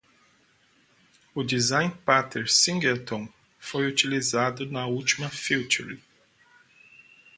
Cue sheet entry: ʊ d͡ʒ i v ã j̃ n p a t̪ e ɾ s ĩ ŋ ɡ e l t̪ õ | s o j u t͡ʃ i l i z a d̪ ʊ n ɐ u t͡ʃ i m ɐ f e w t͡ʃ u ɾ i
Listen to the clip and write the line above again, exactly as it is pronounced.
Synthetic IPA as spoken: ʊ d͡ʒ i z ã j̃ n p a t̪ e ɾ s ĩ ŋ ɡ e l t̪ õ | f o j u t͡ʃ i l i z a d̪ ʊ n ɐ u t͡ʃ i m ɐ f i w t͡ʃ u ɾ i